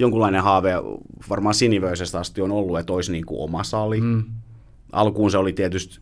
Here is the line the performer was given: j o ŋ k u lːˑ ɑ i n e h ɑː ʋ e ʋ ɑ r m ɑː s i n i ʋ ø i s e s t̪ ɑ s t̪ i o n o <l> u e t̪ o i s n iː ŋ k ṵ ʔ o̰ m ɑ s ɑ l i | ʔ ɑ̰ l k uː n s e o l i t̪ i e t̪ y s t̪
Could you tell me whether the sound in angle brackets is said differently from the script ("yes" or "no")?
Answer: yes